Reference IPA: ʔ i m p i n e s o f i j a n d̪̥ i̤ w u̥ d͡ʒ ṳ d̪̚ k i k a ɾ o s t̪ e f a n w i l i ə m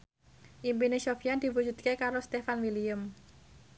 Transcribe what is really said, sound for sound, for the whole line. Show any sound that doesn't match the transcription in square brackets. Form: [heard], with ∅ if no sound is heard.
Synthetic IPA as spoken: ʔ i m p i n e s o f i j a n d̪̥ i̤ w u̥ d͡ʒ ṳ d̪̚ k [e] k a ɾ o s t̪ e f a n w i l i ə m